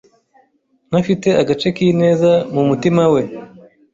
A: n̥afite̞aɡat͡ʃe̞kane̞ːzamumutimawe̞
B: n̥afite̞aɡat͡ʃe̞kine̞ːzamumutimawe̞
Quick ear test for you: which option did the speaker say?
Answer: B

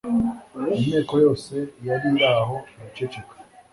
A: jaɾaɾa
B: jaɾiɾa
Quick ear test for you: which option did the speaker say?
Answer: B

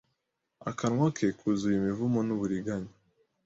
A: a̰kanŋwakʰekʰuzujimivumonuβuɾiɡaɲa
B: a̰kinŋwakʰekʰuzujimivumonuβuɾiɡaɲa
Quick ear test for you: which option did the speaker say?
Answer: A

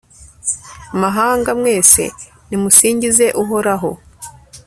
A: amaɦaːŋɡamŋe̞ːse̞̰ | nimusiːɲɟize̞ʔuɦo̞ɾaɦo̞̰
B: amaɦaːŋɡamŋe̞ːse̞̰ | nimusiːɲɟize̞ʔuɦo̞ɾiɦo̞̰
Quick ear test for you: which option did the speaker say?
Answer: A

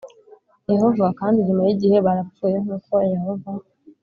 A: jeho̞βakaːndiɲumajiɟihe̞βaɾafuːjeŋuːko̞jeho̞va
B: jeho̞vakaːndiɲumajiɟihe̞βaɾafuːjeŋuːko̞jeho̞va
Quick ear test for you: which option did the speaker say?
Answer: B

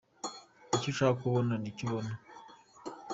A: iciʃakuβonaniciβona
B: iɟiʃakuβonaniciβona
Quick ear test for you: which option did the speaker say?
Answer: A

